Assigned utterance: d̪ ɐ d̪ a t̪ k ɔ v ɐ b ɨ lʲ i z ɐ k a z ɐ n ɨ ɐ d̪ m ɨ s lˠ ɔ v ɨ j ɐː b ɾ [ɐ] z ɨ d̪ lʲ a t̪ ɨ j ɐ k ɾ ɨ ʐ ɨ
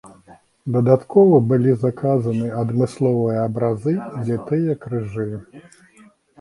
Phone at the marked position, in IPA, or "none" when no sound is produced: a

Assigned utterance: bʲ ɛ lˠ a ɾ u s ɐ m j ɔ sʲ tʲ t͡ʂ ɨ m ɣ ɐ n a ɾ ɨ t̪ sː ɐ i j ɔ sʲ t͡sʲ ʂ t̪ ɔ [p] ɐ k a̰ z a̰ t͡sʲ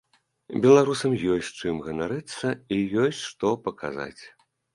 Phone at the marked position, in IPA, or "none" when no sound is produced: p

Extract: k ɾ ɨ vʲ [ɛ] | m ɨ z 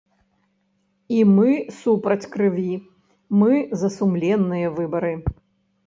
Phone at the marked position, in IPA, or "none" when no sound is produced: i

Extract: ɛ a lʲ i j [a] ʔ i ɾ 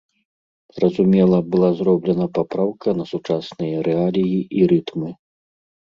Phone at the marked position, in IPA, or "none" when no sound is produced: i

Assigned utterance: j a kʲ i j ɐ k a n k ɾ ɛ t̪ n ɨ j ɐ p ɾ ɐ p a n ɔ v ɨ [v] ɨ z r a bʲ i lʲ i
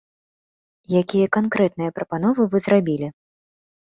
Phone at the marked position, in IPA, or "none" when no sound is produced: v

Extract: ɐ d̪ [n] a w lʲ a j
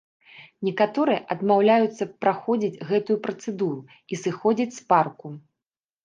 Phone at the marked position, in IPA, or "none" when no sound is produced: m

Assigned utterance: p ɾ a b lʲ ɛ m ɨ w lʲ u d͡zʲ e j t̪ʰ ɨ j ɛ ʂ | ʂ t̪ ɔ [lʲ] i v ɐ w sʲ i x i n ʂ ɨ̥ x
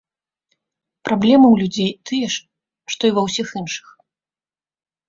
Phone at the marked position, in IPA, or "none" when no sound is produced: none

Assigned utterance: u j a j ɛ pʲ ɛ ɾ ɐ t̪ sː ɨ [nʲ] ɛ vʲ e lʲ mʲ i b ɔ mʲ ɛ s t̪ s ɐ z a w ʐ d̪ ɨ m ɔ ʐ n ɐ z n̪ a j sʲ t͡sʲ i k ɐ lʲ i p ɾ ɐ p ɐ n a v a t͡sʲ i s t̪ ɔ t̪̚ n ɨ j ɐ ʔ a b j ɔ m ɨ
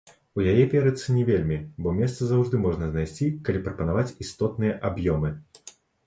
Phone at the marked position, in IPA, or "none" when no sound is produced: nʲ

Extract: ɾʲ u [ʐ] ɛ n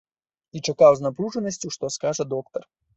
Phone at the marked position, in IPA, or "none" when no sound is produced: ʐ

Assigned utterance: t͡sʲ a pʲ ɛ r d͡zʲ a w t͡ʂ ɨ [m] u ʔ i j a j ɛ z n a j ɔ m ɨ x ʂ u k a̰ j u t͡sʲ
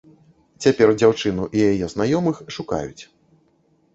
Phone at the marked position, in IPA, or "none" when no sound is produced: n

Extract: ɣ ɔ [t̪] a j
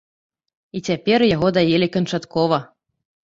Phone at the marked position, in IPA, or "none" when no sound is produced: d̪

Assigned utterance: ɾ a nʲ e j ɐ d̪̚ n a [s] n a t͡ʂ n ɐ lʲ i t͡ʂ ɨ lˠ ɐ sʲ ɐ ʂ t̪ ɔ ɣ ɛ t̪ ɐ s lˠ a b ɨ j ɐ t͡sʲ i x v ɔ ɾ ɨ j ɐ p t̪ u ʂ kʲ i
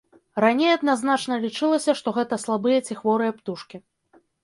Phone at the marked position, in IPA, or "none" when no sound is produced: z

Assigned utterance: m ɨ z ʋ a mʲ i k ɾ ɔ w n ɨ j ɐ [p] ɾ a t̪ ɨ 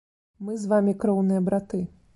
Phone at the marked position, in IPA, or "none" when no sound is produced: b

